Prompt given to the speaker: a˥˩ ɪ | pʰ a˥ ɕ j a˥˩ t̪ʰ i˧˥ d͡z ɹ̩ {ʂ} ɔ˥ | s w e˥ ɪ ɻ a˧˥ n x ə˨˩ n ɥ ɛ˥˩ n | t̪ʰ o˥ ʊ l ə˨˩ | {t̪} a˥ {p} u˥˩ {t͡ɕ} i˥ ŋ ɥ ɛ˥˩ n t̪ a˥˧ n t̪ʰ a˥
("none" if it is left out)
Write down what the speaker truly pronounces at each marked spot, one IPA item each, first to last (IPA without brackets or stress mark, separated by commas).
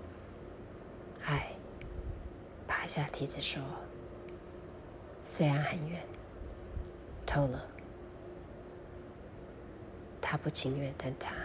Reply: ʂ, t̪ʰ, p, t͡ɕʰ